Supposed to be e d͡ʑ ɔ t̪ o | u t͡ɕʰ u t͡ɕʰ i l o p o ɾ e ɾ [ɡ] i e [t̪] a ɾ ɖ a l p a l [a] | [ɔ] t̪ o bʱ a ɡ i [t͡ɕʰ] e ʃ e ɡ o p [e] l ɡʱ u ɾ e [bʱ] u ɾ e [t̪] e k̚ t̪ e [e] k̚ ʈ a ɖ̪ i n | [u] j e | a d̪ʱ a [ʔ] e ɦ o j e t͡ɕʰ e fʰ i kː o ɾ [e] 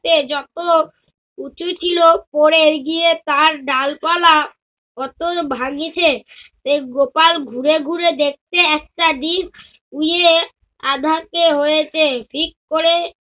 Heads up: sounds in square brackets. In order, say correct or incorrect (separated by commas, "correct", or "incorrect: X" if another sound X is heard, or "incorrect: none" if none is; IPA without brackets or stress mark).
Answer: correct, correct, correct, correct, correct, incorrect: a, incorrect: ɡʱ, incorrect: d̪, incorrect: ɛ, correct, incorrect: k, correct